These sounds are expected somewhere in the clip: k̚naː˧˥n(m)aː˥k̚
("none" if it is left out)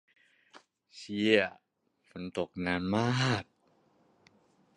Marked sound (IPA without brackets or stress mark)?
m